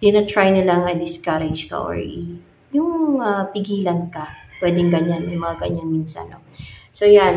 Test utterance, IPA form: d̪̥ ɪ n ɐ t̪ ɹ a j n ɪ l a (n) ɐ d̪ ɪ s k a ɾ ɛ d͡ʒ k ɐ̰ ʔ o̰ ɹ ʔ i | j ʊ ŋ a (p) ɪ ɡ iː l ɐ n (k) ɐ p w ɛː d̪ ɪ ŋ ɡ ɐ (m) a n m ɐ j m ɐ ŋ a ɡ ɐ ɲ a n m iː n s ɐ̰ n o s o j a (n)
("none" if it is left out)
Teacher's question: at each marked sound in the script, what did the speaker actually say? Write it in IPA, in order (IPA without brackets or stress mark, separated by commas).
ŋ, p, k, ɲ, n